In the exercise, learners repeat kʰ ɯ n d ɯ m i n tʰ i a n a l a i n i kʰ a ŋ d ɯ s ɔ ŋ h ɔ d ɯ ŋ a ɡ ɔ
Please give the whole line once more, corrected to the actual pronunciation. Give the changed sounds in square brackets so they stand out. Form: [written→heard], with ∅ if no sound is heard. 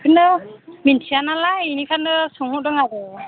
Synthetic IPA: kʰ ɯ n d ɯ m i n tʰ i a n a l a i n i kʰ a [ŋ→n] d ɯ s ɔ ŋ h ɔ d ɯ ŋ a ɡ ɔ

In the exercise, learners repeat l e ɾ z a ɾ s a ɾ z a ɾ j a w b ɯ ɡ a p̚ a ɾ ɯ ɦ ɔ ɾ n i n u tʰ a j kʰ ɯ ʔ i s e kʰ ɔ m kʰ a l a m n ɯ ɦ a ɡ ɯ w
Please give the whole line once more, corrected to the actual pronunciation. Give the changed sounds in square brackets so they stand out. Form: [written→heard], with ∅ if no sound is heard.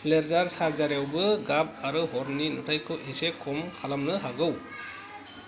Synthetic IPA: l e ɾ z a ɾ s a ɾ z a ɾ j a w b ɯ ɡ a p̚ a ɾ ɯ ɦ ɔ ɾ n i n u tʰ a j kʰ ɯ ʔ i s e kʰ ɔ m kʰ a l a m n ɯ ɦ a ɡ ɯ w

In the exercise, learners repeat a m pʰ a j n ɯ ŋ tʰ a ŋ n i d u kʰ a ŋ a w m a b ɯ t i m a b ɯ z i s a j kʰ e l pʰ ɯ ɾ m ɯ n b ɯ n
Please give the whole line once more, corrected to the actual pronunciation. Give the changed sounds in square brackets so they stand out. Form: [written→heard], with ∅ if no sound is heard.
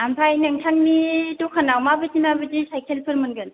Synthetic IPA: a m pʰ a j n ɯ ŋ tʰ a ŋ n i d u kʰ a [ŋ→n] a w m a b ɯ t i m a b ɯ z i s a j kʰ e l pʰ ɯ ɾ m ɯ n [b→ɡ] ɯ n

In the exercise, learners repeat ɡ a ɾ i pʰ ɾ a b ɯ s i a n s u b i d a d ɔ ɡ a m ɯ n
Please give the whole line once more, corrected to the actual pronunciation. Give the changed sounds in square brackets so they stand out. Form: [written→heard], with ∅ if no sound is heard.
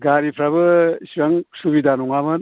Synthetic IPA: ɡ a ɾ i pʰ ɾ a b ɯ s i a [n→ŋ] s u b i d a [d→n] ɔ [ɡ→ŋ] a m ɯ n

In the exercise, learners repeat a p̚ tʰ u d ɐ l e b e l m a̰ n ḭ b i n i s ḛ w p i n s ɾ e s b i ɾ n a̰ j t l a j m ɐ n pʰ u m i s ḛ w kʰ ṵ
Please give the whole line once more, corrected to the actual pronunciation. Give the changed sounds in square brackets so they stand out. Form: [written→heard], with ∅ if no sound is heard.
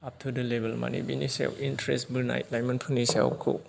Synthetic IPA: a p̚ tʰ u d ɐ l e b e l m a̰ n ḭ b i n i s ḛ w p i n [s→t] ɾ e s b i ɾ n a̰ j t l a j m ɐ n pʰ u [m→n] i s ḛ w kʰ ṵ

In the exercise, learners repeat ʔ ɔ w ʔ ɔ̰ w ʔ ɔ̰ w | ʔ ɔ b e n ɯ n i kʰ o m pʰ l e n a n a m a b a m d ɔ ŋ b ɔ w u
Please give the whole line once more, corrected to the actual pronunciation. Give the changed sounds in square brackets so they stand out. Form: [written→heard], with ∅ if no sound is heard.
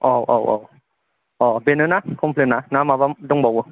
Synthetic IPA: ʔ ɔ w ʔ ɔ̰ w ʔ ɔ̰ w | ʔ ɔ b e n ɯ n [i→a] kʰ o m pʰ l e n a n a m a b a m d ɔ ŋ b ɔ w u

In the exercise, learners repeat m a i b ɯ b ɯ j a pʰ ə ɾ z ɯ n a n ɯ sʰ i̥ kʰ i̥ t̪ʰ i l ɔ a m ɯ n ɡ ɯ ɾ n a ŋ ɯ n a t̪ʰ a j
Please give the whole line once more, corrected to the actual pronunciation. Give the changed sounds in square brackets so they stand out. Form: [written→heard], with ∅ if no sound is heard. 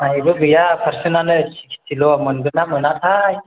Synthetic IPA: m a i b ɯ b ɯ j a pʰ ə ɾ [z→s] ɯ n a n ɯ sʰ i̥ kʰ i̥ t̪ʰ i l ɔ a m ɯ n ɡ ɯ [ɾ→∅] n a [ŋ→m] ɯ n a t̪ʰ a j

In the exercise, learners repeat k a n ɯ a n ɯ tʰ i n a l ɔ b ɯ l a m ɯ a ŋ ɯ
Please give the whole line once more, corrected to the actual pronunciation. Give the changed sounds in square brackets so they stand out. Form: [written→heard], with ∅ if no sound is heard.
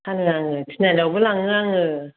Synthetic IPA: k a n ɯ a [n→ŋ] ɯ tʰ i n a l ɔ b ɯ l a [m→ŋ] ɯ a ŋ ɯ

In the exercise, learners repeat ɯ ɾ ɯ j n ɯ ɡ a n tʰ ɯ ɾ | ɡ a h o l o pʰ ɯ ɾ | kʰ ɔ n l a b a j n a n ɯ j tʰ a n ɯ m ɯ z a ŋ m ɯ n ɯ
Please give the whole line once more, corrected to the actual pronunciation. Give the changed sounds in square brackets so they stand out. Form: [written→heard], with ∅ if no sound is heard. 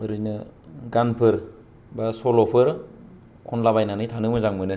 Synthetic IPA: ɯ ɾ ɯ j n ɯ ɡ a n [tʰ→pʰ] ɯ ɾ | [ɡ→b] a [h→s] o l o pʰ ɯ ɾ | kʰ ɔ n l a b a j n a n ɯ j tʰ a n ɯ m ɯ z a ŋ m ɯ n ɯ

